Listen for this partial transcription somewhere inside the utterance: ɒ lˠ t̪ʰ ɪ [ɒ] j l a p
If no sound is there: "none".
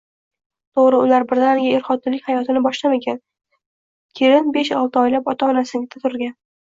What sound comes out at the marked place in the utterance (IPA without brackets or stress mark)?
ɒ